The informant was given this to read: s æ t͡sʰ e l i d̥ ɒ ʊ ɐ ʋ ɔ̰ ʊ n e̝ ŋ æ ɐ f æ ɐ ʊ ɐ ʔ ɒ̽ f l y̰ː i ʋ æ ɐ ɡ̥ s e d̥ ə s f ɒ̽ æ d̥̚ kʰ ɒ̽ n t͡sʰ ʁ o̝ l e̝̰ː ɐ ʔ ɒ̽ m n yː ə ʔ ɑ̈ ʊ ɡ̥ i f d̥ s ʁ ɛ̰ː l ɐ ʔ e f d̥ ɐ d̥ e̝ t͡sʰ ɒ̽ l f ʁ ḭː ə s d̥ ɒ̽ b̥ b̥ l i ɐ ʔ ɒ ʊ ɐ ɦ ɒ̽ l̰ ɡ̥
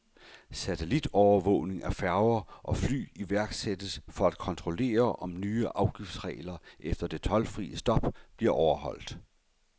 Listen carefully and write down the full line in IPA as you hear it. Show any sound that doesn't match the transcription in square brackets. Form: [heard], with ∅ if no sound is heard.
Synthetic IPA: s æ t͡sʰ e l i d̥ ɒ ʊ ɐ ʋ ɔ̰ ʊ n e̝ ŋ æ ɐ f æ ɐ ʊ ɐ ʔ ɒ̽ f l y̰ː i ʋ æ ɐ ɡ̥ s e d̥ ə s f ɒ̽ æ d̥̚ kʰ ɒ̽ n t͡sʰ ʁ o̝ l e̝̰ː ɐ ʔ ɒ̽ m n yː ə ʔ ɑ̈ ʊ ɡ̥ i f d̥ s ʁ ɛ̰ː l ɐ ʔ e f d̥ ɐ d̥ e̝ t͡sʰ ɒ̽ l f ʁ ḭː ə s d̥ ɒ̽ b̥ b̥ l i ɐ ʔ ɒ ʊ ɐ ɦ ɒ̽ l̰ [d̥]